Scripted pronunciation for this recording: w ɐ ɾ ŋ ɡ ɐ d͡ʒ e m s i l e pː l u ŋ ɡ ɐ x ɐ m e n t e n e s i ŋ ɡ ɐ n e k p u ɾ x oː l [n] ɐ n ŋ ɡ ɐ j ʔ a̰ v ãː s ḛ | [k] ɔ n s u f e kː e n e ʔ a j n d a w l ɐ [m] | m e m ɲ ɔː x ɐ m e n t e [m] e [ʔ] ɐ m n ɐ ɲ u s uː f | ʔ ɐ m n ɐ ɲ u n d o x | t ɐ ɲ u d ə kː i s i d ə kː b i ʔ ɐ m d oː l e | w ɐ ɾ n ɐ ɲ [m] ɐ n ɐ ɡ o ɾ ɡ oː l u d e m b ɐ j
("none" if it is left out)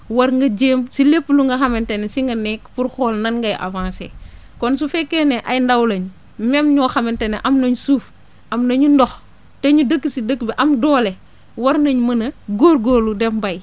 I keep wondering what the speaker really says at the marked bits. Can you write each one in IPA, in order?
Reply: n, k, ɲ, n, ʔ, m

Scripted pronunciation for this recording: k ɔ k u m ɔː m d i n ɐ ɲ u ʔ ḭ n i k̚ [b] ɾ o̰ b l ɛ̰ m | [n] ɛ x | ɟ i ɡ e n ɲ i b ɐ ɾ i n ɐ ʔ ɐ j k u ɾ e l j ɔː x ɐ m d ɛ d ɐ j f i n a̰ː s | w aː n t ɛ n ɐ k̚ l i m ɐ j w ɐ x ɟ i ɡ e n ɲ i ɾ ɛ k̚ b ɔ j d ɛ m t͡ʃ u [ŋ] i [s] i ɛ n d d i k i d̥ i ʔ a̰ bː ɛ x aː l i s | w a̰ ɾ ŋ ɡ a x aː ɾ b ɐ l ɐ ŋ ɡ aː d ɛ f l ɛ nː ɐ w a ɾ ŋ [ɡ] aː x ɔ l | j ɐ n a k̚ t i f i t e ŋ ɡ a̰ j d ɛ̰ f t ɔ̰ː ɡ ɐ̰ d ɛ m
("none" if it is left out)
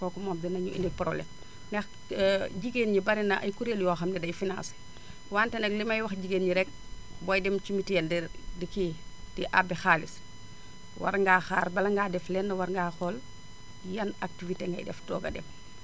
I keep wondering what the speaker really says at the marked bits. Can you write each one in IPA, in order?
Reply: p, n, m, t, ɡ

